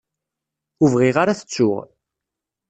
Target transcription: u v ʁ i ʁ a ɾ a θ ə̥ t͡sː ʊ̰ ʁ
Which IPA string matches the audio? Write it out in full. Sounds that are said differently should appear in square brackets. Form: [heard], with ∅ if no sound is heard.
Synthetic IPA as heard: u v ʁ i ʁ a ɾ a θ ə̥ t͡sː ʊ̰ ʁ